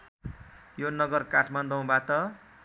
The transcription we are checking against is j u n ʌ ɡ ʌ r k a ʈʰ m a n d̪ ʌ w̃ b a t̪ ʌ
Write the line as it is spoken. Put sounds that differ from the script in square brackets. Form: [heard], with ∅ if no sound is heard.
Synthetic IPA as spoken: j [o] n ʌ ɡ ʌ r k a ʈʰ m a n d̪ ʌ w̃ b a t̪ ʌ